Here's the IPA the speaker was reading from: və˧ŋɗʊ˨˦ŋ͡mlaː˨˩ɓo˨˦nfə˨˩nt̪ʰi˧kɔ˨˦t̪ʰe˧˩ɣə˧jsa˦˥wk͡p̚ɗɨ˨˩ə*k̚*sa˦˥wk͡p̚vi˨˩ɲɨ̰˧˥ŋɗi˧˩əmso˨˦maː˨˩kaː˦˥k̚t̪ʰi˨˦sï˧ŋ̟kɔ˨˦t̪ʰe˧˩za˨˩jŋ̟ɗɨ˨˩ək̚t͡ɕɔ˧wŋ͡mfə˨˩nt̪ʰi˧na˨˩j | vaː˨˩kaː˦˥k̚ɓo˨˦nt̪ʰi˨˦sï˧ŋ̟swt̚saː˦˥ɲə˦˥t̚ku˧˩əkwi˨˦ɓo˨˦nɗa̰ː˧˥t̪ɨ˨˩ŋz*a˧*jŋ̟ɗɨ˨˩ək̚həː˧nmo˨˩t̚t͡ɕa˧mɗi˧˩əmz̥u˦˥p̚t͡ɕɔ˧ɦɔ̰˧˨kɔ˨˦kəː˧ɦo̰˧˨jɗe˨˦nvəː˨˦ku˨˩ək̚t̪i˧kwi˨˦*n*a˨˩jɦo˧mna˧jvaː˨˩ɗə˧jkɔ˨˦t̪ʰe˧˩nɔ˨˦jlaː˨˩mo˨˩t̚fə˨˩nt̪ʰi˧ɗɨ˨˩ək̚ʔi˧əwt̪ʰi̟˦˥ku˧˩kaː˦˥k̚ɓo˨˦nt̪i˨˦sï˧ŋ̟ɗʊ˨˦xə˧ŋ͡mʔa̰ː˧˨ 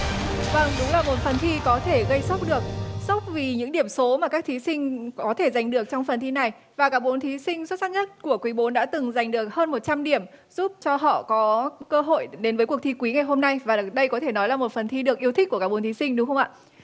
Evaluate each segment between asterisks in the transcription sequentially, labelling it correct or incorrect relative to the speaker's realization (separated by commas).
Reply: correct, incorrect, incorrect